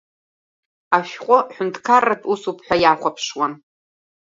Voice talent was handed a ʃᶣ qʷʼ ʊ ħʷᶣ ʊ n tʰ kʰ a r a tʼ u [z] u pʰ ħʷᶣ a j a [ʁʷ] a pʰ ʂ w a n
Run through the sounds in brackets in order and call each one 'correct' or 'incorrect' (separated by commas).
incorrect, incorrect